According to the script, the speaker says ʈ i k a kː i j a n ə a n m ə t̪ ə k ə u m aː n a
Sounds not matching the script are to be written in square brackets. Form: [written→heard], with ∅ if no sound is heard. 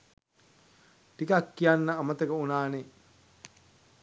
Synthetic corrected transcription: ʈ i k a kː i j a [n→nː] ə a [n→∅] m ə t̪ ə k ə u [m→n] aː n [a→e]